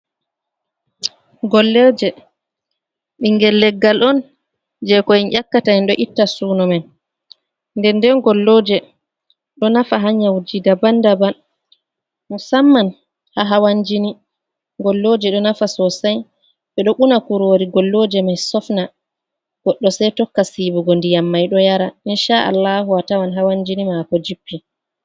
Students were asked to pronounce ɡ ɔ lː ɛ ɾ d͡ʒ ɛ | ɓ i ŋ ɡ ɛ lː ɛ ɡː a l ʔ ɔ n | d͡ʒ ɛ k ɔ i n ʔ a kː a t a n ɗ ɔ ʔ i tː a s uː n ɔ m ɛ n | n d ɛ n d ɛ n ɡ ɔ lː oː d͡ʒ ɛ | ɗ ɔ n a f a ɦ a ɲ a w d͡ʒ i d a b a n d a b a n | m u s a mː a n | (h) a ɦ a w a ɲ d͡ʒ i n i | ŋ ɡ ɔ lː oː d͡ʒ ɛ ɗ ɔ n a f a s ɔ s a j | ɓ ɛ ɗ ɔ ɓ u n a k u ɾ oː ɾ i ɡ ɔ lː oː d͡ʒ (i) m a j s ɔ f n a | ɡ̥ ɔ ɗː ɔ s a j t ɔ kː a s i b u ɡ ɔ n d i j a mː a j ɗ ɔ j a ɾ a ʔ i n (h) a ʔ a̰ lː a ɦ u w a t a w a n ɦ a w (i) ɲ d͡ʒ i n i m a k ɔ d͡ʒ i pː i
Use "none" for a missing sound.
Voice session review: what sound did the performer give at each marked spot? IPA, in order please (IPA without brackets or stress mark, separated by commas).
h, ɛ, ʃ, a